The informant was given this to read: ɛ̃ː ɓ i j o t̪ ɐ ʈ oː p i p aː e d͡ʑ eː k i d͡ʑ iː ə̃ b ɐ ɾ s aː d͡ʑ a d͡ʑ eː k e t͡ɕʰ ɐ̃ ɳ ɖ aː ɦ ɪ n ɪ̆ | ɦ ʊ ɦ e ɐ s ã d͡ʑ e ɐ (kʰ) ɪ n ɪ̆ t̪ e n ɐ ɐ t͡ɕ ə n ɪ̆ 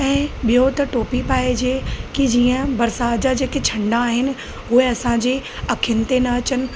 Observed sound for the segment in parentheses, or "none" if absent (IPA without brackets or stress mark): kʰ